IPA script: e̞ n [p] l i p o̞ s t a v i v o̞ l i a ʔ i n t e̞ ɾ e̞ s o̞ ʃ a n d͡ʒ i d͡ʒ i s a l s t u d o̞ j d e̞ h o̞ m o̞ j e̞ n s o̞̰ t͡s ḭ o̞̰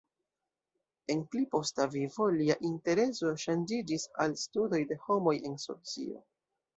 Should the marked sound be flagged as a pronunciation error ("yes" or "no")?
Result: no